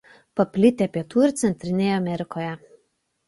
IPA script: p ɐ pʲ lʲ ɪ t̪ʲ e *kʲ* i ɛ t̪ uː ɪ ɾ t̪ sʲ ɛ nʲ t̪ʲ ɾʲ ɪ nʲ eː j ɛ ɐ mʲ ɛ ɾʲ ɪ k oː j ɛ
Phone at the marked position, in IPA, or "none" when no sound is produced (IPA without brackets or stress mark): pʲ